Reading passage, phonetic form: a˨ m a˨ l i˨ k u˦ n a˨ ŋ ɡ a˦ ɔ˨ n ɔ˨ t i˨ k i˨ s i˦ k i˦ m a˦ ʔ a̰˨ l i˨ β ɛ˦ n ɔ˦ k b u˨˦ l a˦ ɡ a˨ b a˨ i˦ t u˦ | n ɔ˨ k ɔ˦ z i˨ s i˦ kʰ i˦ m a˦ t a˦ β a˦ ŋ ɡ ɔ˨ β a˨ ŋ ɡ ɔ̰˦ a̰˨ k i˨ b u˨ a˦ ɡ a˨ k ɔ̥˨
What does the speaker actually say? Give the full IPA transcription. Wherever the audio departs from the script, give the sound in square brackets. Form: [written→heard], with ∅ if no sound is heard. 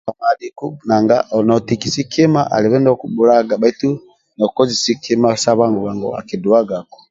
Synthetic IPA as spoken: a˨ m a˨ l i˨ k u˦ n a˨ ŋ ɡ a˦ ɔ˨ n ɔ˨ t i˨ k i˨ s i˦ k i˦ m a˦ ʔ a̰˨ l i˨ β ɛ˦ n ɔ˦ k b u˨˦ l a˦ ɡ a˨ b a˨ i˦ t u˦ | n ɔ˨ k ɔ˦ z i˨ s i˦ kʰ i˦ m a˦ [t→s] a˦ β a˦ ŋ ɡ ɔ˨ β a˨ ŋ ɡ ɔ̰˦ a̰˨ k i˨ [b→d] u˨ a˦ ɡ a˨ k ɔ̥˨